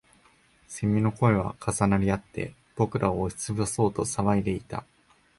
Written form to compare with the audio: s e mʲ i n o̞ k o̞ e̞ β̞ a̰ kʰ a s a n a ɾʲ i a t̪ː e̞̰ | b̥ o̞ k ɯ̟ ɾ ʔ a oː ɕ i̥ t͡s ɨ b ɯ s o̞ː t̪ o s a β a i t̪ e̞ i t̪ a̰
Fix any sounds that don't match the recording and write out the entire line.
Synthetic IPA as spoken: s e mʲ i n o̞ k o̞ e̞ β̞ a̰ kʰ a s a n a ɾʲ i a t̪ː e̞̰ | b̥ o̞ k ɯ̟ ɾ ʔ a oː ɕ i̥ t͡s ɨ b ɯ s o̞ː t̪ o s a β a i d̪ e̞ i t̪ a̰